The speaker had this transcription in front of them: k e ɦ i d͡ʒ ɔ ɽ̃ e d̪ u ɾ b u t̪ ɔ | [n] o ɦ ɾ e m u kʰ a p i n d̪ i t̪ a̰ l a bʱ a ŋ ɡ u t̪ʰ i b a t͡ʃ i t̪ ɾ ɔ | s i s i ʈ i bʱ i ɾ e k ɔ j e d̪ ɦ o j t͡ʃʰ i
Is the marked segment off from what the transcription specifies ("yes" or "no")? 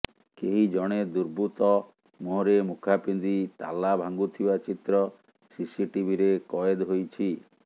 yes